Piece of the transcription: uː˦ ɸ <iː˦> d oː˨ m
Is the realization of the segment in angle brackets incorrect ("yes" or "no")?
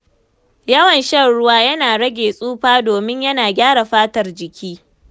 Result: yes